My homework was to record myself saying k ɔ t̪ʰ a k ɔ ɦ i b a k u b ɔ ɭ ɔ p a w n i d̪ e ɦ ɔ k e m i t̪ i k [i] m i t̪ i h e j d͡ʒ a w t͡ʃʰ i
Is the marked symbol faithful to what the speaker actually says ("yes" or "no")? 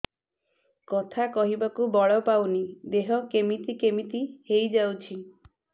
no